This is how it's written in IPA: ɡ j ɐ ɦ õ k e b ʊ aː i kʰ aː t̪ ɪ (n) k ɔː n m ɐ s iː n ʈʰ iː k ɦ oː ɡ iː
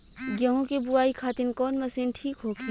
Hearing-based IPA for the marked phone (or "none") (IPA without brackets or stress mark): n